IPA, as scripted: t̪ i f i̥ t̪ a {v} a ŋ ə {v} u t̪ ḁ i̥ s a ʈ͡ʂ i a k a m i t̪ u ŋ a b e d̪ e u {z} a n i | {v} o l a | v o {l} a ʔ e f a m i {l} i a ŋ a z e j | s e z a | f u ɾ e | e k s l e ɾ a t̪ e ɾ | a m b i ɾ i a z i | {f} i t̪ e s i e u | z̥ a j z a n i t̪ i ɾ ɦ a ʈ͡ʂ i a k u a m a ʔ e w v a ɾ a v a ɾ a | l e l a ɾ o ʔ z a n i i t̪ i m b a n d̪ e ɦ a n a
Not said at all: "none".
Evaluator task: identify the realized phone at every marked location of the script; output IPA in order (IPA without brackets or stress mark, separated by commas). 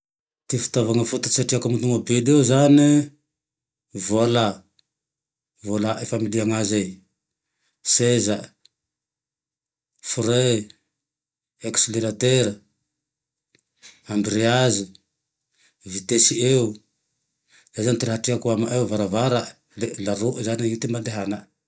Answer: v, f, z, v, l, l, v